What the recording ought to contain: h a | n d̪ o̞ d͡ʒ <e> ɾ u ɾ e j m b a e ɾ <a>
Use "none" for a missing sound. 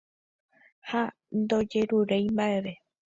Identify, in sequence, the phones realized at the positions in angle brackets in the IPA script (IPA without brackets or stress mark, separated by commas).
e, e